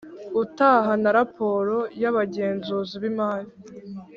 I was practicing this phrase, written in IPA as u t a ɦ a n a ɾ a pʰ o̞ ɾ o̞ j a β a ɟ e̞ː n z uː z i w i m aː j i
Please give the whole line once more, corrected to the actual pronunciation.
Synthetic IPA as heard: u t a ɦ a n a ɾ a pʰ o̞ ɾ o̞ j a β a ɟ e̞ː n z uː z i β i m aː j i